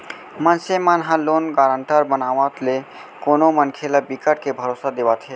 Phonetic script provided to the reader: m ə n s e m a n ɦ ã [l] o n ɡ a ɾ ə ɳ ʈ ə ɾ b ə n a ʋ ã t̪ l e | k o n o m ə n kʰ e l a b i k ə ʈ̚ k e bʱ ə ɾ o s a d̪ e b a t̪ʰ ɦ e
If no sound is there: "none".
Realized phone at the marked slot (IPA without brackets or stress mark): l